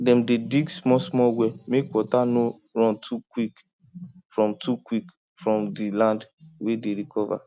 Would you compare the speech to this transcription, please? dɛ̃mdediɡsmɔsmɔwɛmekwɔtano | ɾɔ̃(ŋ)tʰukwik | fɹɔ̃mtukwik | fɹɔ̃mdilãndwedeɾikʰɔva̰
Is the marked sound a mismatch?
yes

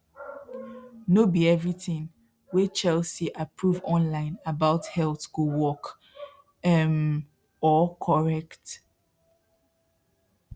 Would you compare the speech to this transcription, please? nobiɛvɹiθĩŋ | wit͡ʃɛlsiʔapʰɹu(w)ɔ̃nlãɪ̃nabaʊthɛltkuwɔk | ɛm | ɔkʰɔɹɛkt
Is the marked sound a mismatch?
yes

